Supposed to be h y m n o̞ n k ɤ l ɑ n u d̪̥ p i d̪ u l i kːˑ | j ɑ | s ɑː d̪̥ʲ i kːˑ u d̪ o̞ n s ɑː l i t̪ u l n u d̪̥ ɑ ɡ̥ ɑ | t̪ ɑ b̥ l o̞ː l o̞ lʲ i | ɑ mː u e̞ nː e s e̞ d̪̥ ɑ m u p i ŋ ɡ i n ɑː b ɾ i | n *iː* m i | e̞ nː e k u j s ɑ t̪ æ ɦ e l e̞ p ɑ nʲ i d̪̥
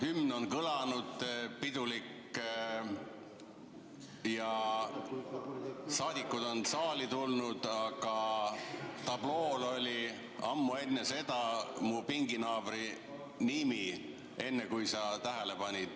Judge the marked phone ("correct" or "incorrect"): incorrect